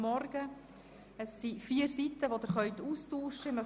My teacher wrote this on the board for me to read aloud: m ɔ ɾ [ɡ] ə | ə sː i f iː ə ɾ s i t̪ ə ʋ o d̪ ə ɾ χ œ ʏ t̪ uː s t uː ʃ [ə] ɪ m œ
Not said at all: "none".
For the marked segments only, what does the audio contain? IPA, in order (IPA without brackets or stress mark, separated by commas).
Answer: ɡ, ə